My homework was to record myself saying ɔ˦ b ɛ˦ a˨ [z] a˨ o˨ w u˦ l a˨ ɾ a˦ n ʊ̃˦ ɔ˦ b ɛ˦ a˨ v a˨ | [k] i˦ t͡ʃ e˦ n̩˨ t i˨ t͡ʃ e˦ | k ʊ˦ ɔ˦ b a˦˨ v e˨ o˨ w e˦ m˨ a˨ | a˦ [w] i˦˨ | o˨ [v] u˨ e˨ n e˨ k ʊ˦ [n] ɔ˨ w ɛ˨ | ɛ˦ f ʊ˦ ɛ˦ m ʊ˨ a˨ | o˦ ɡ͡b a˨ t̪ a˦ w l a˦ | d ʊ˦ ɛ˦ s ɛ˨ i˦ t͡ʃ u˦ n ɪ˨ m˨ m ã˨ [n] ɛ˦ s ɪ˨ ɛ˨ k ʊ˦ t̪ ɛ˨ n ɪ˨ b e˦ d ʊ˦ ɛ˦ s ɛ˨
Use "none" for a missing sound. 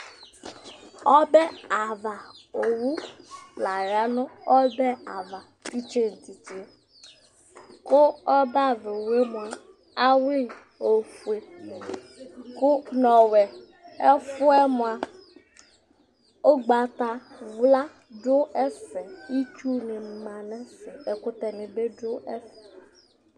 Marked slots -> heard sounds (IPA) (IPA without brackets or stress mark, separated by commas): v, t, w, f, n, n